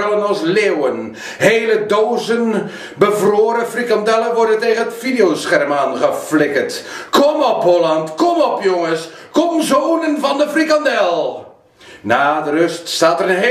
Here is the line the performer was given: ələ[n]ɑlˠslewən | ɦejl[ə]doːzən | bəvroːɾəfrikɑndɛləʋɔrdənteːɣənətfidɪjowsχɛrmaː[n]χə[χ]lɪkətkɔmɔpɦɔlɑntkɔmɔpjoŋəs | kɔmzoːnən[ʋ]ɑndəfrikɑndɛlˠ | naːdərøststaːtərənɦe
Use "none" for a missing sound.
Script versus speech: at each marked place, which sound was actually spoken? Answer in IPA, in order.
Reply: n, ə, n, f, v

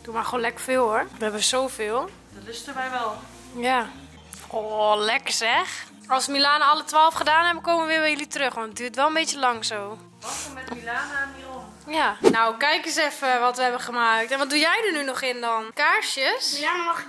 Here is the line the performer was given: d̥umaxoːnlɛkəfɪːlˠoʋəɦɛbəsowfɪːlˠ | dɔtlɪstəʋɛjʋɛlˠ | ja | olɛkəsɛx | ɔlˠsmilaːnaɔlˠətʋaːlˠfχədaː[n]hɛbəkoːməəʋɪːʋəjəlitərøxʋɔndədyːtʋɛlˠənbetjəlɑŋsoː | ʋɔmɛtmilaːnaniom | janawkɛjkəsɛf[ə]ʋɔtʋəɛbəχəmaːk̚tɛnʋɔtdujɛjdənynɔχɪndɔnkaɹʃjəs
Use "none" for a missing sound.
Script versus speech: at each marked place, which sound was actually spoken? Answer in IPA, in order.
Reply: n, ə

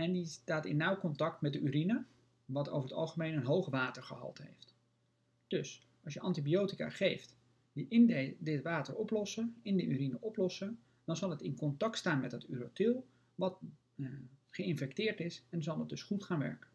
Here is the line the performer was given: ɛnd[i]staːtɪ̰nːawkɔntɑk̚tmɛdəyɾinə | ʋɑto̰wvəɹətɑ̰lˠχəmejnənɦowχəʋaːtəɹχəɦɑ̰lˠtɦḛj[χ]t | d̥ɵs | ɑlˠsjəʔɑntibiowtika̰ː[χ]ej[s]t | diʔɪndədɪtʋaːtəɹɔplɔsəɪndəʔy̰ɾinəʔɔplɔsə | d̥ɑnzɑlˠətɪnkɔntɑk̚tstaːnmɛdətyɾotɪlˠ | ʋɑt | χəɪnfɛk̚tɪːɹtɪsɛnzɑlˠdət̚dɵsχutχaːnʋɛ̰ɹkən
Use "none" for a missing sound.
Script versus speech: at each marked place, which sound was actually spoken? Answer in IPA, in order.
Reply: i, f, χ, f

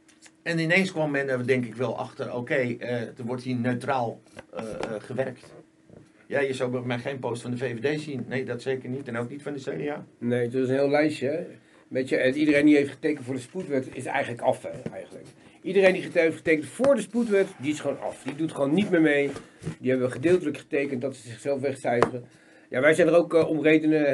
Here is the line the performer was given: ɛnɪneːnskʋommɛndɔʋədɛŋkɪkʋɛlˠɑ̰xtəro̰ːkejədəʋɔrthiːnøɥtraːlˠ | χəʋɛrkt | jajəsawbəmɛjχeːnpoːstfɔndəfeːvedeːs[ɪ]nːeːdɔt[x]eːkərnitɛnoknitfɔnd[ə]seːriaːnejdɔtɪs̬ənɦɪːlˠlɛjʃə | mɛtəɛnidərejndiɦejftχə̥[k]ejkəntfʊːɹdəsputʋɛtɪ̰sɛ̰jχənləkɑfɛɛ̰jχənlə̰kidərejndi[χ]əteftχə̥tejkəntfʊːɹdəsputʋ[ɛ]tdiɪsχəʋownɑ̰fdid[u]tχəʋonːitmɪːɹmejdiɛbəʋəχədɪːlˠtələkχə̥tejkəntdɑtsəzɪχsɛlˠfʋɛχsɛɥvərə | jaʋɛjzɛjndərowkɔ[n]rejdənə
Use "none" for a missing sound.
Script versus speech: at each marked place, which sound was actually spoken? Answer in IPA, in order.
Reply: i, s, ə, t, χ, ɛ, u, m

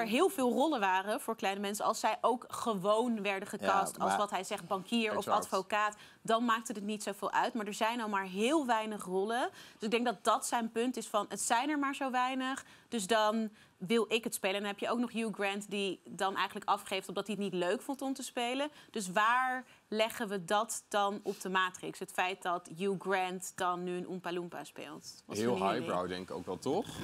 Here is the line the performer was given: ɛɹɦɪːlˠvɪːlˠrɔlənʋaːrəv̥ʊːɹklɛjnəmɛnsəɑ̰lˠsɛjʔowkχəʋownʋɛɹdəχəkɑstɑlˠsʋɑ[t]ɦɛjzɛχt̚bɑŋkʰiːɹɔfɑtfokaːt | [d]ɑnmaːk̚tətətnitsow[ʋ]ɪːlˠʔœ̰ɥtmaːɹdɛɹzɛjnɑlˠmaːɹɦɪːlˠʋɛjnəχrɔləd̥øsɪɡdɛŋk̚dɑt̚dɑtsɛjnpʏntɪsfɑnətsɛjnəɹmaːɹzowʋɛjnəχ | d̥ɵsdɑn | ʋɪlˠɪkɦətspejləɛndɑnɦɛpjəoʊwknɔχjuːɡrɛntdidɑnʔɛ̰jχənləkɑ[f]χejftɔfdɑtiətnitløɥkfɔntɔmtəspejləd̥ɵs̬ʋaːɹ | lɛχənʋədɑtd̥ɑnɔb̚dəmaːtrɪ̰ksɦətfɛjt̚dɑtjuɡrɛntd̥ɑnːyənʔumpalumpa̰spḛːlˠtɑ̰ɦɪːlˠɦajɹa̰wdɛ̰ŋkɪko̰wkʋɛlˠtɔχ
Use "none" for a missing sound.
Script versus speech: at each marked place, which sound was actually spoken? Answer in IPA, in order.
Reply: t, d, v, f

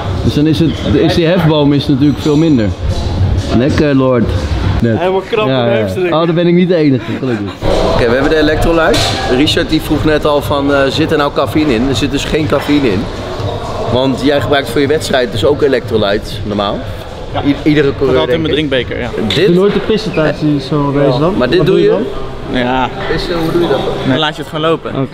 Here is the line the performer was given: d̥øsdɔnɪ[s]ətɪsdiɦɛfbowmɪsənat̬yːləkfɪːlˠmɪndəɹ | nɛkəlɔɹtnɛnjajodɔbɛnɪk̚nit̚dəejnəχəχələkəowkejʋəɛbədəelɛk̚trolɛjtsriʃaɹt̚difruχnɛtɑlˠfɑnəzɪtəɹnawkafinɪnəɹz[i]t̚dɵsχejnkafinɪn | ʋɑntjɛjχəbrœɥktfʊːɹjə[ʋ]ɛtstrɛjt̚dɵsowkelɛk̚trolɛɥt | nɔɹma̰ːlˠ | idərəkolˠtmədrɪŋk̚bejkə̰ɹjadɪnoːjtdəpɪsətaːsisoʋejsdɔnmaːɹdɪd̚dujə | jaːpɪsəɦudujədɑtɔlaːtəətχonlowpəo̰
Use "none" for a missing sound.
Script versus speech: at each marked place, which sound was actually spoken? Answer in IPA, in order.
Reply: s, ɪ, ʋ

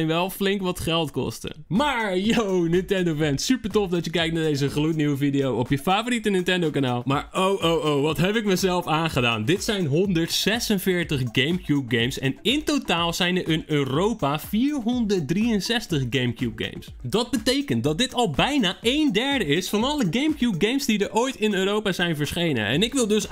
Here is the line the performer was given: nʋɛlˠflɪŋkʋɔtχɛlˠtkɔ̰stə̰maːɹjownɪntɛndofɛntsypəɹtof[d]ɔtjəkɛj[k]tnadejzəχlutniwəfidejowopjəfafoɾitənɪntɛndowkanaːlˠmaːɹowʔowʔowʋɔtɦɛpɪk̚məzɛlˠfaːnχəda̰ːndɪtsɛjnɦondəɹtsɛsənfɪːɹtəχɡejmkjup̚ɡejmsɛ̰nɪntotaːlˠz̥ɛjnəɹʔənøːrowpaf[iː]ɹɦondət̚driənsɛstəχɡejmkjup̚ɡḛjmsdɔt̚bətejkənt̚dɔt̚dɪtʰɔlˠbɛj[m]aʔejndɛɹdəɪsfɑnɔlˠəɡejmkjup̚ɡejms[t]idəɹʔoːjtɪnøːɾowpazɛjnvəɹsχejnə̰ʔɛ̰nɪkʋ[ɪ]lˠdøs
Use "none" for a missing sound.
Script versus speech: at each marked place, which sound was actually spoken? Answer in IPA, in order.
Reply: d, k, iː, n, d, ɪ

